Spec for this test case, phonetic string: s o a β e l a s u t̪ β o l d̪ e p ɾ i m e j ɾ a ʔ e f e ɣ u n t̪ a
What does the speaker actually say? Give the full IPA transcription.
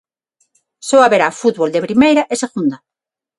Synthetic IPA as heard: s o a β e ɾ a f u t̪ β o l d̪ e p ɾ i m e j ɾ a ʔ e s e ɣ u n d̪ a